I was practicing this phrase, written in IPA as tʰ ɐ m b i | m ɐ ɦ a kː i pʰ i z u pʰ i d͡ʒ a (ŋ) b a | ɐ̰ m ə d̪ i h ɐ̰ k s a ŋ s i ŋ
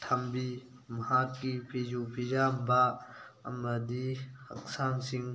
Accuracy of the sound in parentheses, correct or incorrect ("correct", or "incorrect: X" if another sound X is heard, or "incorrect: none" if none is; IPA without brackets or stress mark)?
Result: incorrect: m